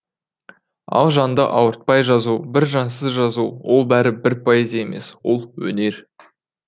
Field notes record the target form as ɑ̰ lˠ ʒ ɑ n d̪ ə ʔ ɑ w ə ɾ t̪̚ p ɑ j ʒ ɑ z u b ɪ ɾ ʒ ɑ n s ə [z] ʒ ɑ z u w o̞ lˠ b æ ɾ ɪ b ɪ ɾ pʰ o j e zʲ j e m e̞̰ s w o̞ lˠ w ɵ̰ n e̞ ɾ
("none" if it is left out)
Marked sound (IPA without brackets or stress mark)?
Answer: z